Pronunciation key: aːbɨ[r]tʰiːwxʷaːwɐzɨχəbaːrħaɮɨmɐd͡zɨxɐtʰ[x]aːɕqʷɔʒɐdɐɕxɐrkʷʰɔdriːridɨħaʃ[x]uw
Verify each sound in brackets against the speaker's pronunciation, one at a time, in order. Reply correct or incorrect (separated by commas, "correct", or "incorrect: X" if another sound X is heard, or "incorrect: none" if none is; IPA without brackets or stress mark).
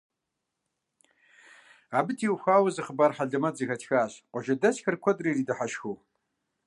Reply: incorrect: none, correct, correct